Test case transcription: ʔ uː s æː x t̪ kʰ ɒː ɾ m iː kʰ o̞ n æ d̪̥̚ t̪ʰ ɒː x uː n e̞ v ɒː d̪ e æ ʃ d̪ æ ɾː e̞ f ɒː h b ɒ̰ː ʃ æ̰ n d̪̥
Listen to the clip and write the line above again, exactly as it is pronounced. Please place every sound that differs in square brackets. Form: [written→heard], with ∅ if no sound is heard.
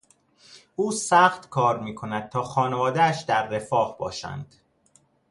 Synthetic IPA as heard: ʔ uː s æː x t̪ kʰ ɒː ɾ m iː kʰ o̞ n æ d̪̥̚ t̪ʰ ɒː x [uː→ɒː] n e̞ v ɒː d̪ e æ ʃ d̪ æ ɾː e̞ f ɒː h b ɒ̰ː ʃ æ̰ n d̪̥